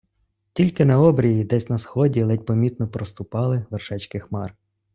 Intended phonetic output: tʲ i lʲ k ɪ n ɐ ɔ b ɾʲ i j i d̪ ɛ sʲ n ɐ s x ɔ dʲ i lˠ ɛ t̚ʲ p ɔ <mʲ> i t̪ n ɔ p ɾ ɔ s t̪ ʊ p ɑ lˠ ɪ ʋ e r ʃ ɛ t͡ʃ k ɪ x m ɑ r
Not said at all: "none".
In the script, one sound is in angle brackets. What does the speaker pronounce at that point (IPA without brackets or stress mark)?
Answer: mʲ